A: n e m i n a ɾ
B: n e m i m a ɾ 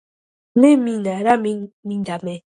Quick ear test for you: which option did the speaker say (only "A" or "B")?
A